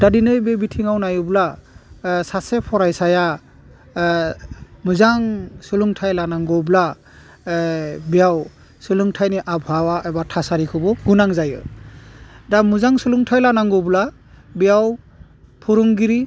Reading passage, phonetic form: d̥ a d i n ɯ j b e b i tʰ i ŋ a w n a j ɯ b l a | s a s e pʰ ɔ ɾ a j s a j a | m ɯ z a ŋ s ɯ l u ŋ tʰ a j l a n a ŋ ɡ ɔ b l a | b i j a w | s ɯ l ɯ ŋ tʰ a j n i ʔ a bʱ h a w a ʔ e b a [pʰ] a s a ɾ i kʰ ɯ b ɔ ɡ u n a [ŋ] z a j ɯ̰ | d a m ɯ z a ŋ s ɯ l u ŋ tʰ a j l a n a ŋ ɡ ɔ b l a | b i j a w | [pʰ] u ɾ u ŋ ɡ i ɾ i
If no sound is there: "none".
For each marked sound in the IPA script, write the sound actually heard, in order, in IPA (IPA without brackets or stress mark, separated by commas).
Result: tʰ, ŋ, pʰ